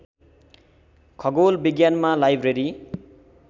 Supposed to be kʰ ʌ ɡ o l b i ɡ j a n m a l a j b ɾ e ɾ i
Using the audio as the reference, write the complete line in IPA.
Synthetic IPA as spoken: kʰ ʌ ɡ o l b i ɡ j a n m a l a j b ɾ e ɾ i